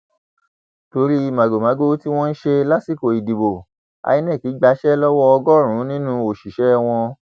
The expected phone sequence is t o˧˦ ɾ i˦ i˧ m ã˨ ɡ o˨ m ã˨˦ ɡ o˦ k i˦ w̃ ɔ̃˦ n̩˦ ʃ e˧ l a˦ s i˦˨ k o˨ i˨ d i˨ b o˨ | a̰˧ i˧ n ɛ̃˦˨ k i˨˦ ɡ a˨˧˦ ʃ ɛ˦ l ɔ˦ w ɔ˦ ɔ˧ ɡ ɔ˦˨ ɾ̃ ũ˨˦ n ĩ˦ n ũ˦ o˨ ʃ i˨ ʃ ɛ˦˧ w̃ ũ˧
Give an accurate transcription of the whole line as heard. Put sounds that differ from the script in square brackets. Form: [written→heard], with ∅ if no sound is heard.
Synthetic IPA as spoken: t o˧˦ ɾ i˦ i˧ m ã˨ ɡ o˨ m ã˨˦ ɡ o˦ [k→t] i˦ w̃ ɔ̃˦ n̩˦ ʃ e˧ l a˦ s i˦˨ k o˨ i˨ d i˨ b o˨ | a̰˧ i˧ n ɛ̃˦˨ k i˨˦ [ɡ→ɡ͡b] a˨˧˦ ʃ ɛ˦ l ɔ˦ w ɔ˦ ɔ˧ ɡ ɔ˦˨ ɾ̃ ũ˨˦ n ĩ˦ n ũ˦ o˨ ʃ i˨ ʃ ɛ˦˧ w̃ [ũ˧→ɔ̃˧]